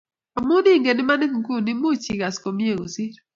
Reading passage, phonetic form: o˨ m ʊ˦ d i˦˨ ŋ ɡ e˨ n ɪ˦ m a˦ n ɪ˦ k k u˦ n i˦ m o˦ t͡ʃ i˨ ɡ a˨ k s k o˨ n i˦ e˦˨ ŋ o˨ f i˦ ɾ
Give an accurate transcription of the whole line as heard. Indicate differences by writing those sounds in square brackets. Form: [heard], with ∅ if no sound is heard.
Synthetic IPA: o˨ m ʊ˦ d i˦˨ ŋ ɡ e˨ n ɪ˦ m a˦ n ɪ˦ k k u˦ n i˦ m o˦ t͡ʃ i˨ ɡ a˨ [∅] s k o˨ [m] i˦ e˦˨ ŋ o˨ [s] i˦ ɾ